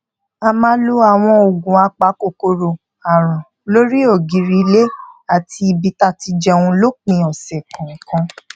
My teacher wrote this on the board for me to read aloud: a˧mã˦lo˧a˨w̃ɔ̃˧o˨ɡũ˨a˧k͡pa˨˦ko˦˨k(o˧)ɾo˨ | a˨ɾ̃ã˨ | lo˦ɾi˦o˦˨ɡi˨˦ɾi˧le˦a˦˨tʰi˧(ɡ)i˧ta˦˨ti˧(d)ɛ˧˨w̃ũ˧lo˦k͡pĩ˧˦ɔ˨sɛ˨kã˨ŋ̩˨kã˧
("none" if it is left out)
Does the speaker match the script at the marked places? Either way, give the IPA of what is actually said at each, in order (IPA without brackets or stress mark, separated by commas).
o˧, b, d͡ʒ